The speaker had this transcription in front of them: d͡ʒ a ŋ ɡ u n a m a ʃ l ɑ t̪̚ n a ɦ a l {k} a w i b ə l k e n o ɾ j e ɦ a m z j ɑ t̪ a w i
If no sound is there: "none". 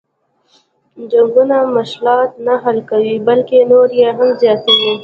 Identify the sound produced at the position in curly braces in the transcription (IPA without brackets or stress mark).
k